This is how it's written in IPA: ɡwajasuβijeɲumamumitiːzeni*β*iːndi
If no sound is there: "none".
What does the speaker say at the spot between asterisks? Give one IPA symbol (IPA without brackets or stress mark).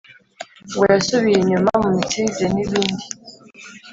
β